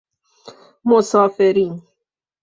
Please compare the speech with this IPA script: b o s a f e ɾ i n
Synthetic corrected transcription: m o s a f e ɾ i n